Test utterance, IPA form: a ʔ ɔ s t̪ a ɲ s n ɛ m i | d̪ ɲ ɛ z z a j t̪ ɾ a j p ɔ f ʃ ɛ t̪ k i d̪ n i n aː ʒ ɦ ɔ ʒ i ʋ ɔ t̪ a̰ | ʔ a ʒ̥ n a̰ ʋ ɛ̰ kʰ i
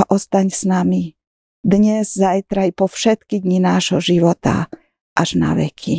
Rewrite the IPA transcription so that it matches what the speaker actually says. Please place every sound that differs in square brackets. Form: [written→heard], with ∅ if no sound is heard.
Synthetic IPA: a ʔ ɔ s t̪ a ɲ s n [ɛ→a] m i | d̪ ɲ ɛ z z a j t̪ ɾ a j p ɔ f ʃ ɛ t̪ k i d̪ [n→ɲ] i n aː ʒ ɦ ɔ ʒ i ʋ ɔ t̪ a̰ | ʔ a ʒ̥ n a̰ ʋ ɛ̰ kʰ i